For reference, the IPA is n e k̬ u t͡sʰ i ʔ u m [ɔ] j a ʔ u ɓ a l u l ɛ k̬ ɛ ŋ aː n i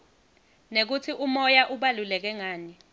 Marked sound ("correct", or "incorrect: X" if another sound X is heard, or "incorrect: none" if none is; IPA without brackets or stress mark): correct